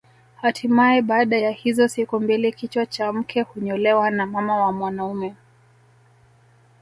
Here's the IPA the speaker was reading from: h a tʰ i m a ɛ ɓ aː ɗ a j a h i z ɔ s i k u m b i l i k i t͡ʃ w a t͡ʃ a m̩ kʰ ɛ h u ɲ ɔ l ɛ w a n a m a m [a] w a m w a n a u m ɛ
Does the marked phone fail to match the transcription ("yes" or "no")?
no